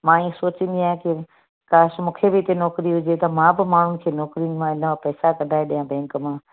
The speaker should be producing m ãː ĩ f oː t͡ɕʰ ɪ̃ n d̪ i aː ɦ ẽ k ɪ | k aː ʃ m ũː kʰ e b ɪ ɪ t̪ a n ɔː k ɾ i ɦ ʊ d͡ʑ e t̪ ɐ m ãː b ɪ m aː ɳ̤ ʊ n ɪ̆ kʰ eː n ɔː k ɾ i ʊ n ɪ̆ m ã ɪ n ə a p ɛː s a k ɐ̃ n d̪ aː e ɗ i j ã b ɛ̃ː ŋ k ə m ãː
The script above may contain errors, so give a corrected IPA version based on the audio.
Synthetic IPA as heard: m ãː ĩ s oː t͡ɕ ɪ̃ n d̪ i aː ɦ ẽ k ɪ | k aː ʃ m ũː kʰ e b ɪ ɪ t̪ e n ɔː k ɾ i ɦ ʊ d͡ʑ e t̪ ɐ m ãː b ɪ m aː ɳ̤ ʊ n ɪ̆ kʰ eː n ɔː k ɾ i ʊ n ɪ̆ m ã ɪ n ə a p ɛː s a k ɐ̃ n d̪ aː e ɗ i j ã b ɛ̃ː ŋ k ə m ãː